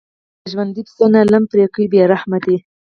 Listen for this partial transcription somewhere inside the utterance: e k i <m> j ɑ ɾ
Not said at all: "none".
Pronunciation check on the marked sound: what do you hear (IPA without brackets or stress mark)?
b